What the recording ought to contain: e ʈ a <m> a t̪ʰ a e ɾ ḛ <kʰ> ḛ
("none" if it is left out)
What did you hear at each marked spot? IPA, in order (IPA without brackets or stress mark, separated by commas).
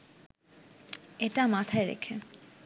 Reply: m, kʰ